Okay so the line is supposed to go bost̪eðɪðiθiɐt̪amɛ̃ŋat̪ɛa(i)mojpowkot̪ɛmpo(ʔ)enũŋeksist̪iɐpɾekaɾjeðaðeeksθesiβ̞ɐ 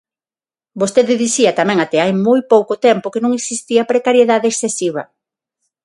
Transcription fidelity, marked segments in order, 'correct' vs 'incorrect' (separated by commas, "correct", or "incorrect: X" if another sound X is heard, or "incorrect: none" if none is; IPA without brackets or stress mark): incorrect: j, incorrect: k